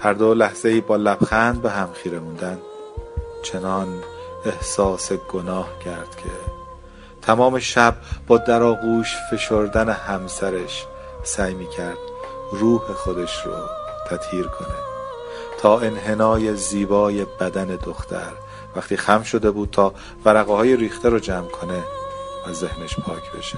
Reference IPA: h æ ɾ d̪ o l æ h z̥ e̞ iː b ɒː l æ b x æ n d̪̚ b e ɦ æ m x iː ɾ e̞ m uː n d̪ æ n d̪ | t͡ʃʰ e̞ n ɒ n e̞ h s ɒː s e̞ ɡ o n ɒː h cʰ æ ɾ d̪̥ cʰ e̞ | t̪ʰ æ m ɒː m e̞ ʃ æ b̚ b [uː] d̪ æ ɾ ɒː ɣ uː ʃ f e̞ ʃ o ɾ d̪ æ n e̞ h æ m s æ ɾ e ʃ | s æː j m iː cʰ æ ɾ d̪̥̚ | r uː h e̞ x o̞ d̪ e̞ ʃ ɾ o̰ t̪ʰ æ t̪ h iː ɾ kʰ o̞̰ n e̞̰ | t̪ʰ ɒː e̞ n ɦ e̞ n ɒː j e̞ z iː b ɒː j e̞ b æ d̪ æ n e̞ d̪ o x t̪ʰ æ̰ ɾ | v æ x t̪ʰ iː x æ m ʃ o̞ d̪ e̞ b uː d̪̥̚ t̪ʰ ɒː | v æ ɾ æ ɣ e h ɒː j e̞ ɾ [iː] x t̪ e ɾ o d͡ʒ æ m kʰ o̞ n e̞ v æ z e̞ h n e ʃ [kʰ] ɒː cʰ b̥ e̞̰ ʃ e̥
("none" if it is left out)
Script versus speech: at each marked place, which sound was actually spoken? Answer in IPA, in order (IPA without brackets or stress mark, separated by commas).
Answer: ɒː, iː, pʰ